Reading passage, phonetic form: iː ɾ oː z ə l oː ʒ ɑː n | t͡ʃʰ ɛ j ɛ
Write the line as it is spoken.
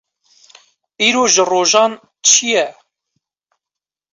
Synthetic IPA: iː ɾ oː ʒ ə r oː ʒ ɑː n | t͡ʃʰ i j ɛ